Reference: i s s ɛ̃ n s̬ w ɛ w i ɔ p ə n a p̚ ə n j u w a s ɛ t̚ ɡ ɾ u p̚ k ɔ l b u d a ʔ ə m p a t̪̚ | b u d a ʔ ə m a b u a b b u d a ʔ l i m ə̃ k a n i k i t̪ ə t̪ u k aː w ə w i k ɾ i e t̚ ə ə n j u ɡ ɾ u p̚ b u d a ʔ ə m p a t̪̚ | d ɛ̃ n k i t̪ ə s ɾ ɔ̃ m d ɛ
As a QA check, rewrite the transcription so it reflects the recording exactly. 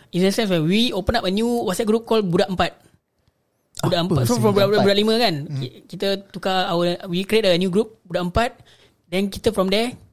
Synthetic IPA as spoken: i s s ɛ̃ n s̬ w ɛ w i o p ə n a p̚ ə n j u w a s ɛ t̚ ɡ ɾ u p̚ k ɔ l b u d a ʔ ə m p a t̪̚ | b u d a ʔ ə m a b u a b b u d a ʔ l i m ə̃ k a n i k i t̪ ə t̪ u k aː w ə w i k ɾ i e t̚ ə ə n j u ɡ ɾ u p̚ b u d a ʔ ə m p a t̪̚ | d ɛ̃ n k i t̪ ə f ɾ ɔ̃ m d ɛ